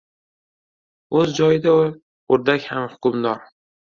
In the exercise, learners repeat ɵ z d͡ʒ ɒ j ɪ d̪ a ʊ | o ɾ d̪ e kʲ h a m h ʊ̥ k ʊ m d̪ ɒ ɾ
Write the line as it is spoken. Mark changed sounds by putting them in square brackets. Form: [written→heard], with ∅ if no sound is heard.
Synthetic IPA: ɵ z d͡ʒ ɒ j ɪ d̪ a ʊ | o ɾ d̪ [e→a] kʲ h a m h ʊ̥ k ʊ m d̪ ɒ ɾ